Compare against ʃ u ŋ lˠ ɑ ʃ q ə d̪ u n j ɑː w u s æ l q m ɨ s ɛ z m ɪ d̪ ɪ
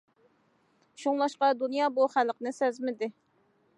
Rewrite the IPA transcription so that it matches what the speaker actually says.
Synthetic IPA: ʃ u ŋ lˠ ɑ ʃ q ɑ d̪ u n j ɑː b u χ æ l q n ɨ s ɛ z m ɪ d̪ ɪ